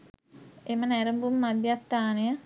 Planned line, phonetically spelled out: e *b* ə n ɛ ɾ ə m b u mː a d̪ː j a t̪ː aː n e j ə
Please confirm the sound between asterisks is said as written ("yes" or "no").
no